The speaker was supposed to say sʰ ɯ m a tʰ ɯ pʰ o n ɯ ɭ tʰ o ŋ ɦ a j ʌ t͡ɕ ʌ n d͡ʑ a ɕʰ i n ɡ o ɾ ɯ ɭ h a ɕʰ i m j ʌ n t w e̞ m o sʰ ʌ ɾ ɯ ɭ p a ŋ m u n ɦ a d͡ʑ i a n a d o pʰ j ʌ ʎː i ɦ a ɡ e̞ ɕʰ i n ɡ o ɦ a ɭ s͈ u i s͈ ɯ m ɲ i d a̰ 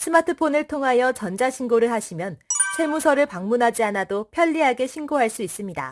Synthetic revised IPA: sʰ ɯ m a tʰ ɯ pʰ o n ɯ ɭ tʰ o ŋ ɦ a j ʌ t͡ɕ ʌ n d͡ʑ a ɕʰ i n ɡ o ɾ ɯ ɭ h a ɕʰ i m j ʌ n t͡ɕʰ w e̞ m u sʰ ʌ ɾ ɯ ɭ p a ŋ m u n ɦ a d͡ʑ i a n a d o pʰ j ʌ ʎː i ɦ a ɡ e̞ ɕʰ i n ɡ o ɦ a ɭ s͈ u i s͈ ɯ m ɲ i d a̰